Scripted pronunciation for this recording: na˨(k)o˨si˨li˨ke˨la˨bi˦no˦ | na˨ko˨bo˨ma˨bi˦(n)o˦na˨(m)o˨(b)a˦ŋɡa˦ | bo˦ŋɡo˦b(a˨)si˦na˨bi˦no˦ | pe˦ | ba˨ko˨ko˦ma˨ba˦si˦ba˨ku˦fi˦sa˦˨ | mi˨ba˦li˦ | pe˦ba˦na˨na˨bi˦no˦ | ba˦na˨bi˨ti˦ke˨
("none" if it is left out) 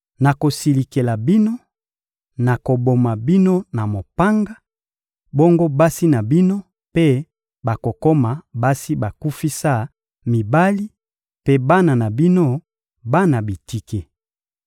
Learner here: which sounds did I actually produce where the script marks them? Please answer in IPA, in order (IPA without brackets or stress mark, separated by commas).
k, n, m, p, a˦